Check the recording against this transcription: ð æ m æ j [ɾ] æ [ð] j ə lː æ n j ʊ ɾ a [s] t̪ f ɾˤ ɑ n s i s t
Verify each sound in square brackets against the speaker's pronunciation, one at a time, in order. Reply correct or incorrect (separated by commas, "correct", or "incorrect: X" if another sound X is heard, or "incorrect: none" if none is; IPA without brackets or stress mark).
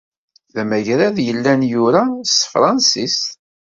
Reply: correct, correct, correct